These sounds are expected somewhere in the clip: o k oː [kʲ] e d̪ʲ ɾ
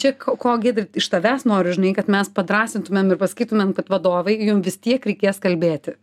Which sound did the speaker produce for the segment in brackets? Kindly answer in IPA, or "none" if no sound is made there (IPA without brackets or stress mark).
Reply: ɡʲ